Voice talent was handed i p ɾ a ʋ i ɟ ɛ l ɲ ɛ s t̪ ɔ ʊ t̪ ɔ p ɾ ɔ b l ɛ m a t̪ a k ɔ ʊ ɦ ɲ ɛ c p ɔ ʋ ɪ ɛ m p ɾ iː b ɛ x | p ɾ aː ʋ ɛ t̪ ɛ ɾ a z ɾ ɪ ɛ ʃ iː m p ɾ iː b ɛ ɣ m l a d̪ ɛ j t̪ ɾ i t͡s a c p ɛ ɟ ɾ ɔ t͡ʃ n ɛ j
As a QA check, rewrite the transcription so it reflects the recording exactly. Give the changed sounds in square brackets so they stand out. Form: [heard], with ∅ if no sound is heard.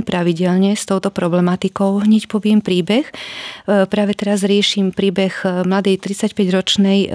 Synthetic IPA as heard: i p ɾ a ʋ i ɟ ɛ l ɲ ɛ s t̪ ɔ ʊ t̪ ɔ p ɾ ɔ b l ɛ m a t̪ [i] k ɔ ʊ ɦ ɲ ɛ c p ɔ ʋ ɪ ɛ m p ɾ iː b ɛ x | p ɾ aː ʋ ɛ t̪ ɛ ɾ a z ɾ ɪ ɛ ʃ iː m p ɾ iː b ɛ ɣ m l a d̪ ɛ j t̪ ɾ i t͡s a c p ɛ ɟ ɾ ɔ t͡ʃ n ɛ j